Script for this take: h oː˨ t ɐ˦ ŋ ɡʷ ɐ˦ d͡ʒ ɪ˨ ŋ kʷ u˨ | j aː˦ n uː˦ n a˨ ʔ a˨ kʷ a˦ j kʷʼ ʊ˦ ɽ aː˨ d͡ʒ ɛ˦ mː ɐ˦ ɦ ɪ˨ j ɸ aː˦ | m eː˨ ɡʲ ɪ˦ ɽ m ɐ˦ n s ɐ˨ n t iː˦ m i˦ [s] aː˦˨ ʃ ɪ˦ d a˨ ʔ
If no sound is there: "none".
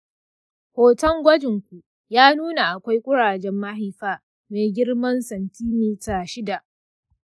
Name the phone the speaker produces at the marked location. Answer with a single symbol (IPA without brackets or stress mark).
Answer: t